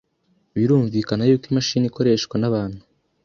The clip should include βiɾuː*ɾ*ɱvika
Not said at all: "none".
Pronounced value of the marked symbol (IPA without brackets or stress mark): none